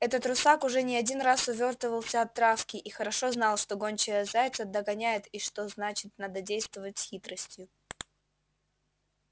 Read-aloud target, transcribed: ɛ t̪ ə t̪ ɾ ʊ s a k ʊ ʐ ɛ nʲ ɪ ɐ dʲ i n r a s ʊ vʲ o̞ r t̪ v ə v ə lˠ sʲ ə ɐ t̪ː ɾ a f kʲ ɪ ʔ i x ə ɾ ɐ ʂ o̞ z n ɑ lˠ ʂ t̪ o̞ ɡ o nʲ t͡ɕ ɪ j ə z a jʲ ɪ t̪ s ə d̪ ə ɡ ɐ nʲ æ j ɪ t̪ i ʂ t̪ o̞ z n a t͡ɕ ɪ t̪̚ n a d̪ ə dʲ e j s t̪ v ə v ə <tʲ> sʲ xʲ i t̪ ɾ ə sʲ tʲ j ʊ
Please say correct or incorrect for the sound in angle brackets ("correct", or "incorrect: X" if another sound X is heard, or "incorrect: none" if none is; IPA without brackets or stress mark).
correct